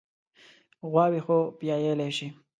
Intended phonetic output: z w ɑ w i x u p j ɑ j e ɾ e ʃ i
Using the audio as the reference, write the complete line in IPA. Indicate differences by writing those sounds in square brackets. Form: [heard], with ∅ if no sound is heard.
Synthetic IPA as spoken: [ɣ] w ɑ w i x [o] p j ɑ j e [l] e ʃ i

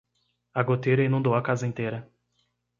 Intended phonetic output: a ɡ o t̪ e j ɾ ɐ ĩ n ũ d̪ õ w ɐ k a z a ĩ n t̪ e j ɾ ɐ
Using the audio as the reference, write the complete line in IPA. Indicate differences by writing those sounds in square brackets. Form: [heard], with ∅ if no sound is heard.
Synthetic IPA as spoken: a ɡ o t̪ e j ɾ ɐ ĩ n ũ d̪ [o] w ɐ k a z [ɐ] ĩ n t̪ e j ɾ ɐ

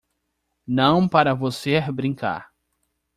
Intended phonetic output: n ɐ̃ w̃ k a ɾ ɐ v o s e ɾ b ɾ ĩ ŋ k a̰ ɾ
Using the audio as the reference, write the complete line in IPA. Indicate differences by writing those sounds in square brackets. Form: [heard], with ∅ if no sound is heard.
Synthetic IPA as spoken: n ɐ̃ w̃ [p] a ɾ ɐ v o s e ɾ b ɾ ĩ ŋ k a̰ ɾ

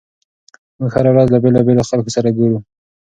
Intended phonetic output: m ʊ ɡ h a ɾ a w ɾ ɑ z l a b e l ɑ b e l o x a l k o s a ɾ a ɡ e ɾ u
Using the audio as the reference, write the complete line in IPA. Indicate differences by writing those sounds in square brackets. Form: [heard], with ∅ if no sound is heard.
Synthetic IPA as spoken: m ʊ ɡ h a ɾ a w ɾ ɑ z l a b e l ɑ b e l o x a l k o s a ɾ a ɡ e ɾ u

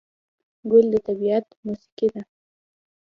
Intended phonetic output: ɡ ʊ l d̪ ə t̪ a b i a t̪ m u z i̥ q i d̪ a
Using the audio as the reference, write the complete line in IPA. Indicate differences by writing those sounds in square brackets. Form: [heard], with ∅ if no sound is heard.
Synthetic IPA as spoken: ɡ ʊ l d̪ ə t̪ a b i a t̪ m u [s] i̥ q i d̪ a

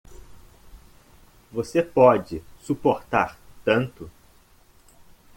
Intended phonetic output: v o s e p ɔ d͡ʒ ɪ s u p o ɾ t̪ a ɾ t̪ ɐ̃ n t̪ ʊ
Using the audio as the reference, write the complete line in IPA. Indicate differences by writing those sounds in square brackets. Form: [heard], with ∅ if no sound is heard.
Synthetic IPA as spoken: v o s e p ɔ d͡ʒ ɪ s u p o ɾ t̪ a ɾ t̪ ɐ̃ n t̪ ʊ

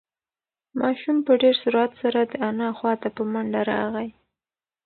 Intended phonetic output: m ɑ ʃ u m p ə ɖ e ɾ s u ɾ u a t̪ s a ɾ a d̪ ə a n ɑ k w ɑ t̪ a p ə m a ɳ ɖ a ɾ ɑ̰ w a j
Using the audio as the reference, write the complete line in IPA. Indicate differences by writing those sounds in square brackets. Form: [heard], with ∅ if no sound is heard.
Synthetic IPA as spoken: m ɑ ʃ u m p ə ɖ e ɾ s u ɾ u a t̪ s a ɾ a d̪ ə a n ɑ [x] w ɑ t̪ a p ə m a ɳ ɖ a ɾ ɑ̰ [ɣ] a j

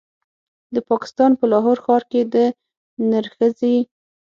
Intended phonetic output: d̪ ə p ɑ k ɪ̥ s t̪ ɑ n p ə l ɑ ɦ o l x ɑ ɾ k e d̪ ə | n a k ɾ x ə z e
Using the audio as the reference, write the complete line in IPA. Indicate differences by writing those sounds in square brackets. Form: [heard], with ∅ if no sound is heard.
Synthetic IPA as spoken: d̪ ə p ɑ k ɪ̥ s t̪ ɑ n p ə l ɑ ɦ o [ɾ] x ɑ ɾ k e d̪ ə | n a [∅] ɾ x ə z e

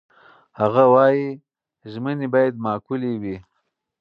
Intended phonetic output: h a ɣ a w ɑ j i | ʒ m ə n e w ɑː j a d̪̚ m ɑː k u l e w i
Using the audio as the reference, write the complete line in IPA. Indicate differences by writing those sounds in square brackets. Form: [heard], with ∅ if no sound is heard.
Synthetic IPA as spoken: h a ɣ a w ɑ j i | ʒ m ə n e [b] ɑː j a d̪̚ m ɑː k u l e w i

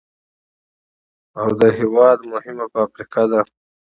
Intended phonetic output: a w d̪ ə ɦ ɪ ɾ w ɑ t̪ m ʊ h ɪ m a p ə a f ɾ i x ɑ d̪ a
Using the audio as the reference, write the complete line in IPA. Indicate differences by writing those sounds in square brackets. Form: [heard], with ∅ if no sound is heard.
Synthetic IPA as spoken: a w d̪ ə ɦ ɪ [∅] w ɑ [d̪] m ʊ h ɪ m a p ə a f ɾ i [k] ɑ d̪ a

